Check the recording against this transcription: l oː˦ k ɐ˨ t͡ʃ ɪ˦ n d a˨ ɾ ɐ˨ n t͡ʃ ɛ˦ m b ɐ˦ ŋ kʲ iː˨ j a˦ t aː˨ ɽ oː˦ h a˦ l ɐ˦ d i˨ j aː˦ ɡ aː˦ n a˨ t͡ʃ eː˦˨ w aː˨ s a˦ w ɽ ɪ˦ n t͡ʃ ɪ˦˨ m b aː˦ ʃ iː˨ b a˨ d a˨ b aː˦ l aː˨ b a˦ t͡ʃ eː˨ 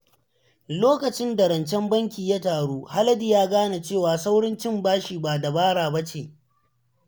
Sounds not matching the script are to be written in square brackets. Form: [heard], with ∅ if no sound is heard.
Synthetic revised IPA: l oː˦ k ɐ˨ t͡ʃ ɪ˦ n d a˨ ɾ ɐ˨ n t͡ʃ ɛ˦ m b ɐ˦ ŋ kʲ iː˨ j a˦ t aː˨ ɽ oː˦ h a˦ l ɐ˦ d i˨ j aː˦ ɡ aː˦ n a˨ t͡ʃ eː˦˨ w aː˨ s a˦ w ɽ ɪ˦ n t͡ʃ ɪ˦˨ m b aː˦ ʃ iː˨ b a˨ d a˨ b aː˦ [ɽ] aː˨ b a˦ t͡ʃ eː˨

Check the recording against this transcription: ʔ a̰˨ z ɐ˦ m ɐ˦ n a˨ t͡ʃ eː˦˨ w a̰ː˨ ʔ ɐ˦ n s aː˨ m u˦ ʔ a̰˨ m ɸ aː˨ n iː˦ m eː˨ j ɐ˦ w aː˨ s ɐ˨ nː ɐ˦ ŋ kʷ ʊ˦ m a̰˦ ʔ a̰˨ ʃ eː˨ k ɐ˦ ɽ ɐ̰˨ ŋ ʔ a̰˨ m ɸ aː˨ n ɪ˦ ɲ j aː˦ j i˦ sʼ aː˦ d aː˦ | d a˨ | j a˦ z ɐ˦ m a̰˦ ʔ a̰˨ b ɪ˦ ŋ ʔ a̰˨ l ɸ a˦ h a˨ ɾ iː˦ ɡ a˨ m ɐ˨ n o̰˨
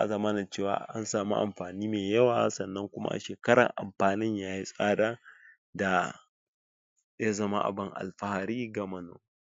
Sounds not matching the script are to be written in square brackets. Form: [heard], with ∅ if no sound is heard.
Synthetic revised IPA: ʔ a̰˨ z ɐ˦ m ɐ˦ n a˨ t͡ʃ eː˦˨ w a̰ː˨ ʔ [a˦] n s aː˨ m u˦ ʔ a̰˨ m ɸ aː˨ n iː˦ m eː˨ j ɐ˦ w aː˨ s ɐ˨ nː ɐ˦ ŋ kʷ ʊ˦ m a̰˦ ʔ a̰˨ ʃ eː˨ k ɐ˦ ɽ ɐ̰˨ ŋ ʔ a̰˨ m ɸ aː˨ n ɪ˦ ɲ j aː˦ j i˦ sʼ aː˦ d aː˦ | d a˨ | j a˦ z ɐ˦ m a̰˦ ʔ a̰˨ b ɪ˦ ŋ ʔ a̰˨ l ɸ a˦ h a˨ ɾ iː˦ ɡ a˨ m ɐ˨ n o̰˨

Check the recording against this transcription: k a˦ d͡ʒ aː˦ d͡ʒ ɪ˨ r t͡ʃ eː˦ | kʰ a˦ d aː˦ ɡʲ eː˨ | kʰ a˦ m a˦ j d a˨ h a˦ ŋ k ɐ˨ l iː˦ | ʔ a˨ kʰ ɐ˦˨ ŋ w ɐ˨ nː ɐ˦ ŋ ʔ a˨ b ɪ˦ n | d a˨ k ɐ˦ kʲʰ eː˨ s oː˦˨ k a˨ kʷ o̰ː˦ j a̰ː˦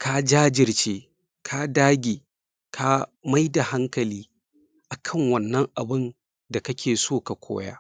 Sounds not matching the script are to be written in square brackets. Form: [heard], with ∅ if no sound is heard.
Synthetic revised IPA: k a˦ d͡ʒ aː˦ d͡ʒ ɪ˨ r t͡ʃ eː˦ | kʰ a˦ d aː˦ ɡʲ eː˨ | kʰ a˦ m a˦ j d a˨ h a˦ ŋ k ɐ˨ l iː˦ | ʔ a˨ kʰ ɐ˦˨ ŋ w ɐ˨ nː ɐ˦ ŋ ʔ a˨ b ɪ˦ n | d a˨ k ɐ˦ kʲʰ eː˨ s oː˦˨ k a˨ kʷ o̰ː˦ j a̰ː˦

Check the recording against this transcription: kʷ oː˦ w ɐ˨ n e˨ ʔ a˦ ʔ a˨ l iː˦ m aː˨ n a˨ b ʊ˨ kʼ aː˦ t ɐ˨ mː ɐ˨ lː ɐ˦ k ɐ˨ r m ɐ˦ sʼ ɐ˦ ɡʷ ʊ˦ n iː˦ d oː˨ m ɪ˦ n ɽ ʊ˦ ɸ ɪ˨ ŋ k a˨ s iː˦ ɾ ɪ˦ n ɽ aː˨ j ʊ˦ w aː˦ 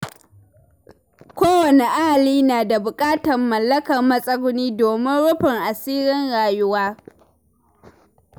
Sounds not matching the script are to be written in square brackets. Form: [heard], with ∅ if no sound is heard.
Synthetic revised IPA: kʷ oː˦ w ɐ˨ n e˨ ʔ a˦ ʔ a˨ l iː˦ [n] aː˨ [d] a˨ b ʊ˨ kʼ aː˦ t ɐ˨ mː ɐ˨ lː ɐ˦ k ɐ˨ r m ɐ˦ sʼ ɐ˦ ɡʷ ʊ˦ n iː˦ d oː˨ m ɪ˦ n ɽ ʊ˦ ɸ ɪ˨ ŋ [ʔ] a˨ s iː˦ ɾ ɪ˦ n ɽ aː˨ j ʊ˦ w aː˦

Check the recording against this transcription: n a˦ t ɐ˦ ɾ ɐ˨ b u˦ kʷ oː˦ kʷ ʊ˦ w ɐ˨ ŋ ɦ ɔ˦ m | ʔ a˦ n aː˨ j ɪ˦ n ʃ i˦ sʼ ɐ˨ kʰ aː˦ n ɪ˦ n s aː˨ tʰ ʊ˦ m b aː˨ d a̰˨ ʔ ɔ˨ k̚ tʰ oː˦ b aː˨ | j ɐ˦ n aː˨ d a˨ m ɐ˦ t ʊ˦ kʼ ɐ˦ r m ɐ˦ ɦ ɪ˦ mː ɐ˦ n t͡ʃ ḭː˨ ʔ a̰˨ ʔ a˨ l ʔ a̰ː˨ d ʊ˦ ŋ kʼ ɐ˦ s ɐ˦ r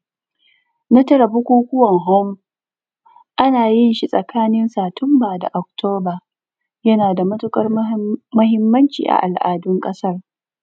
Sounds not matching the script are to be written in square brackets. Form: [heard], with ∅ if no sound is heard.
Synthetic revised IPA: n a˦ t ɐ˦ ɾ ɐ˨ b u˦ kʷ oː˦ kʷ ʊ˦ w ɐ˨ ŋ ɦ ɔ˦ m | ʔ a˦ n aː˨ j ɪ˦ n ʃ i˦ sʼ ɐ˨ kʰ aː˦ n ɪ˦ n s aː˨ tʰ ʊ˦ m b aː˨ d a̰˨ ʔ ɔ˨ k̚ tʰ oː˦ b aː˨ | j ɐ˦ n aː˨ d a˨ m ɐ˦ t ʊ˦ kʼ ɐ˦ r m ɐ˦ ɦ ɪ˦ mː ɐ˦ n t͡ʃ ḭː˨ ʔ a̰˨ ʔ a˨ l ʔ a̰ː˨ d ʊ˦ ŋ kʼ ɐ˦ s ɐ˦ r

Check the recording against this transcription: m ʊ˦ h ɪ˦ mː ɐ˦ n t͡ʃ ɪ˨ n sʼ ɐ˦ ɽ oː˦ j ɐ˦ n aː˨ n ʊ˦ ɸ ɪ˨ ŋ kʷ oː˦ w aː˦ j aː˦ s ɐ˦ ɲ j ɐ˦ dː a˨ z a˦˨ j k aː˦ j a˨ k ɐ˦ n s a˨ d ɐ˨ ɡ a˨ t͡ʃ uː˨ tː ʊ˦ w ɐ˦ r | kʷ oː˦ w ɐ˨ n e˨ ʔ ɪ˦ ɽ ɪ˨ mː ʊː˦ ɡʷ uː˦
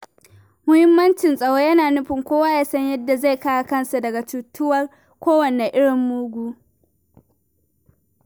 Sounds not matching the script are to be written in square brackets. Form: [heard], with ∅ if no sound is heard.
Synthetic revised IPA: m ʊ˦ h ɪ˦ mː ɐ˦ n t͡ʃ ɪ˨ n sʼ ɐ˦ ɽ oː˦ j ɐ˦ n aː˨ n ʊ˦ ɸ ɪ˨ ŋ kʷ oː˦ w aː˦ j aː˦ s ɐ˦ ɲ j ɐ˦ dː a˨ z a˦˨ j k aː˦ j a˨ k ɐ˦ n s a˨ d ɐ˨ ɡ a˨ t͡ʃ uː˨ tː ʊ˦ w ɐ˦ r | kʷ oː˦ w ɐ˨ n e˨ ʔ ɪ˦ ɽ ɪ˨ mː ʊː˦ ɡʷ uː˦

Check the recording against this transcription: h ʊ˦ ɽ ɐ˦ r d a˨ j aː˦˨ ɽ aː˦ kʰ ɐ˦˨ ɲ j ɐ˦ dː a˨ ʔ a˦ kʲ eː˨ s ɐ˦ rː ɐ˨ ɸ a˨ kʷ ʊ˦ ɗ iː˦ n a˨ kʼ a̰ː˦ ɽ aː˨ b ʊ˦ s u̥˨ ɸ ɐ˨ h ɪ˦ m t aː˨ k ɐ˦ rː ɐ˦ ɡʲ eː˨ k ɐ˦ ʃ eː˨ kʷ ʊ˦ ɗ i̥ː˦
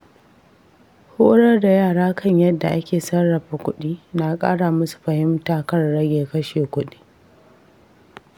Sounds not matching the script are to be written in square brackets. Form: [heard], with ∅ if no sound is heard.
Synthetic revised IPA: h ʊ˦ ɽ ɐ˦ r d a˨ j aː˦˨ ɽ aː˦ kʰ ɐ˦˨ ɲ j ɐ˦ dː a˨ ʔ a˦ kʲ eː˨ s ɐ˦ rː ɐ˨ ɸ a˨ kʷ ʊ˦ ɗ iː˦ n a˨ kʼ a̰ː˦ ɽ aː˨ [m] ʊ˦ s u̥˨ ɸ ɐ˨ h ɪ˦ m t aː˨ k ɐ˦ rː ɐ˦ ɡʲ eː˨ k ɐ˦ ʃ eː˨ kʷ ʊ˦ ɗ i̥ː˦

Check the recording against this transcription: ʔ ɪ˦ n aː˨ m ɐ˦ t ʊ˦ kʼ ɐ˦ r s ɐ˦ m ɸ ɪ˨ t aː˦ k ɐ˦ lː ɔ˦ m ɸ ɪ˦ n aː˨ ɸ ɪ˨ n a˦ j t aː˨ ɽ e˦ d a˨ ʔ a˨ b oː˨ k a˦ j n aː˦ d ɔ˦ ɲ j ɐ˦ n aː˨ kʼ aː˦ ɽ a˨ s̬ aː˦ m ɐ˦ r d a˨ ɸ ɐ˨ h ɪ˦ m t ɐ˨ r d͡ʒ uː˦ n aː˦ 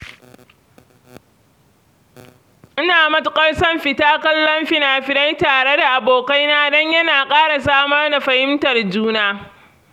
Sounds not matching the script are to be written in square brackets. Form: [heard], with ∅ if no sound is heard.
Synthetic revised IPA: ʔ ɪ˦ n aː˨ m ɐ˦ t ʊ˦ kʼ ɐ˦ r s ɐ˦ m ɸ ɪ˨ t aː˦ k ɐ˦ lː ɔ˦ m ɸ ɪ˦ n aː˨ ɸ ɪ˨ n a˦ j t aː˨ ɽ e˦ d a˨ ʔ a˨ b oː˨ k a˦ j n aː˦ d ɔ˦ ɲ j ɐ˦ n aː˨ kʼ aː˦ ɽ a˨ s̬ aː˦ m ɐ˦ r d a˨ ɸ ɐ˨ h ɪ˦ m t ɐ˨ r d͡ʒ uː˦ n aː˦

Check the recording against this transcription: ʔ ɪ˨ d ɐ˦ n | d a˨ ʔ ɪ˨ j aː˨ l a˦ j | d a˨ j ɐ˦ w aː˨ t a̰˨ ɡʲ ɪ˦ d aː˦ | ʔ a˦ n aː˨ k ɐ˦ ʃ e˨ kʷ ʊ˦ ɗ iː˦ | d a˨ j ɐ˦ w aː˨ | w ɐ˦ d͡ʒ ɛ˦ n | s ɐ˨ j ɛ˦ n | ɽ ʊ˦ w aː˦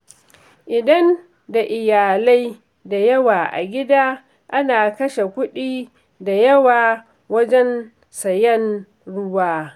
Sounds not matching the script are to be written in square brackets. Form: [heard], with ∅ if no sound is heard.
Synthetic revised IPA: ʔ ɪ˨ d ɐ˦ n | d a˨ ʔ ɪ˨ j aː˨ l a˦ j | d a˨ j ɐ˦ w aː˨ [ʔ] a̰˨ ɡʲ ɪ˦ d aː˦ | ʔ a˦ n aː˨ k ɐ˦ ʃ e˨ kʷ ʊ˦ ɗ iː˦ | d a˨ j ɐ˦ w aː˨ | w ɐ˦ d͡ʒ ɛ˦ n | s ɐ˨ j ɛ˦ n | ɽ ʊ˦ w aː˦

